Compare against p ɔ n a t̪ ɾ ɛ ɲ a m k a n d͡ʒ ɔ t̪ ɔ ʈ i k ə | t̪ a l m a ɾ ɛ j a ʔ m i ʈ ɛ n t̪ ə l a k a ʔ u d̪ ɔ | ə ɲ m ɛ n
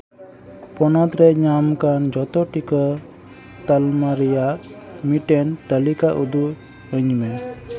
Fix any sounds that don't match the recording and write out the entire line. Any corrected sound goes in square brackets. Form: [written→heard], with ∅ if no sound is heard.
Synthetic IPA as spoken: p ɔ n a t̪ ɾ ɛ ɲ a m k a n d͡ʒ ɔ t̪ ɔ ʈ i k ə | t̪ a l m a ɾ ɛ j a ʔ m i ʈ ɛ n t̪ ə l [a→i] k a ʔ u d̪ [ɔ→u] | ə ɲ m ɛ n